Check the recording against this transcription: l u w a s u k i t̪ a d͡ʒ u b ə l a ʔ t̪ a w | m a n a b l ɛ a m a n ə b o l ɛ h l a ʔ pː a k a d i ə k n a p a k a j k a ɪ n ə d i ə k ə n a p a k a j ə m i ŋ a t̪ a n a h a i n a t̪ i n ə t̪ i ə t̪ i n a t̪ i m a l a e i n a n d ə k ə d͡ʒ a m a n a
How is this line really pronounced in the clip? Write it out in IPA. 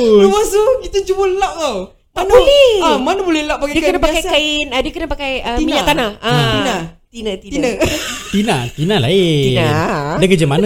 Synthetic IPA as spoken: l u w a s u k i t̪ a d͡ʒ u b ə l a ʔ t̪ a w | m a n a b l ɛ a m a n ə b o l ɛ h l a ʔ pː a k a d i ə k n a p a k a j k a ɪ n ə d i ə k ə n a p a k a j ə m i ɲ a t̪ a n a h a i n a t̪ i n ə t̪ i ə t̪ i n a t̪ i n a l a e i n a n d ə k ə d͡ʒ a m a n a